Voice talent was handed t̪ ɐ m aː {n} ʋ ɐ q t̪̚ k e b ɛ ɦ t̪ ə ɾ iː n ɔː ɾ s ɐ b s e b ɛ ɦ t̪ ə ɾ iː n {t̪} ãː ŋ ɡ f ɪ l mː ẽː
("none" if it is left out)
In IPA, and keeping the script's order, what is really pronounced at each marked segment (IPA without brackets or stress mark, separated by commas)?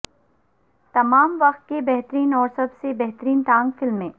m, t̪